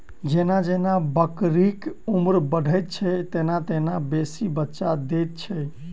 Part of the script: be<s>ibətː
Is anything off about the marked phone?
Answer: no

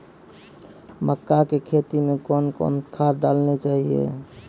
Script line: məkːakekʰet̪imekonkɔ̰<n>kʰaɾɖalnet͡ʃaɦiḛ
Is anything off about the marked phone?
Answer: no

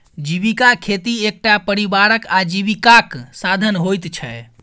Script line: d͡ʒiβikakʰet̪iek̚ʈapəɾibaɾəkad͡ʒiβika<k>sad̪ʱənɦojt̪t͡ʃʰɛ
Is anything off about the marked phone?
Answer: no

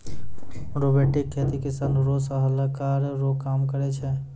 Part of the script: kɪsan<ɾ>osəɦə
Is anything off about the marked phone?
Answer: no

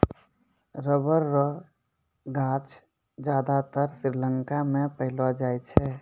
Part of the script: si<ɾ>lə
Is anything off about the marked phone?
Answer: no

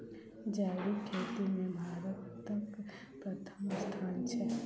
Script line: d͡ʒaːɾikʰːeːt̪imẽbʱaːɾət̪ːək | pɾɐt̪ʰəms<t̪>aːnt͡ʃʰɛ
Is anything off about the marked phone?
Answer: yes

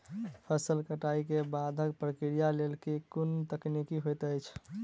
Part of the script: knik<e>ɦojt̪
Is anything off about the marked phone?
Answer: yes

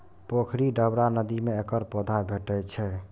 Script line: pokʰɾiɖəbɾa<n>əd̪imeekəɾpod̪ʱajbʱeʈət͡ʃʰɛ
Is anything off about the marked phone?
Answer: no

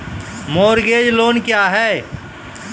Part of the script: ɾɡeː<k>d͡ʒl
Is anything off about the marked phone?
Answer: yes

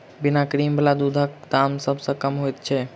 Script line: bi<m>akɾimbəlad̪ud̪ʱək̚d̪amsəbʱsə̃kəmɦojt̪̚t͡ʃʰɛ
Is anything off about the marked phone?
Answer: yes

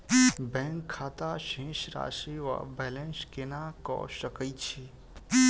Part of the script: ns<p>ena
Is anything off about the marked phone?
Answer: yes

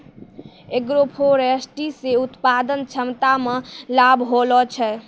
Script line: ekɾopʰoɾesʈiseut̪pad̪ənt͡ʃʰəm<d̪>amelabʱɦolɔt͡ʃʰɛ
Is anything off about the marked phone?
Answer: yes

